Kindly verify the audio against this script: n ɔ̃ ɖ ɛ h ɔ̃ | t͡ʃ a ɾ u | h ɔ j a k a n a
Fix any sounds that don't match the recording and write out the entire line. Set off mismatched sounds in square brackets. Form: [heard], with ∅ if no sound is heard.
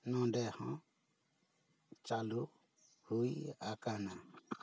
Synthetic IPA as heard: n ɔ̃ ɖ ɛ h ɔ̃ | t͡ʃ a [l] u | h [u] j a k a n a